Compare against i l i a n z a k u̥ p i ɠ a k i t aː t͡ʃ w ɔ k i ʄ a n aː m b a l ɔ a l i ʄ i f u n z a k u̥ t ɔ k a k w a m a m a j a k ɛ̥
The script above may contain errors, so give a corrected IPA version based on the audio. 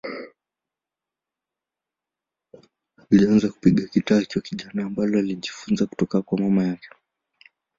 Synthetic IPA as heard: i l i a n z a k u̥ p i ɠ a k i t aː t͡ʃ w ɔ k i ʄ a n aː m b a l ɔ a l i ʄ i f u n z a k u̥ t ɔ k a k w a m a m a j a k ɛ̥